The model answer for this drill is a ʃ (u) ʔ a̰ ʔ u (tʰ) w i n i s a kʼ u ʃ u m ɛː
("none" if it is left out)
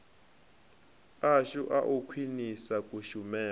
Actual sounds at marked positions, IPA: u, kʰ

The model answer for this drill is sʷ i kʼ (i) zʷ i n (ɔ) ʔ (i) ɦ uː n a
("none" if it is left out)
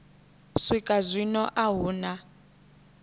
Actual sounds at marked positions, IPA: a, ɔ, a

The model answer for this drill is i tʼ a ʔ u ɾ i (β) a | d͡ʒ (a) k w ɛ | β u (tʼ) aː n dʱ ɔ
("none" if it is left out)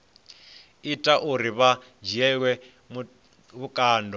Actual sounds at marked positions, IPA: β, ɛ, kʼ

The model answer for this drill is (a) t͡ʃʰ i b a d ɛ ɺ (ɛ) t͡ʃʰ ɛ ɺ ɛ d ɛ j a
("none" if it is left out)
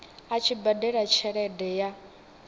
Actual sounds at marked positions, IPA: a, a

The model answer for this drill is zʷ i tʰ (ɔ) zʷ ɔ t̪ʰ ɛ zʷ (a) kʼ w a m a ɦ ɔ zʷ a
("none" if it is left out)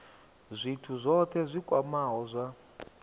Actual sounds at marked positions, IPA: u, i

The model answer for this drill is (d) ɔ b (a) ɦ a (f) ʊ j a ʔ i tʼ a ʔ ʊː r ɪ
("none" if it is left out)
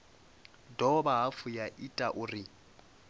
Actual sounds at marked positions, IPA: d, a, f

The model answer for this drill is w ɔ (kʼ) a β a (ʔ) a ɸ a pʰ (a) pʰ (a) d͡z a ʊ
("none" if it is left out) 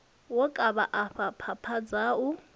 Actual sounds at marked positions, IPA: kʼ, ʔ, a, a

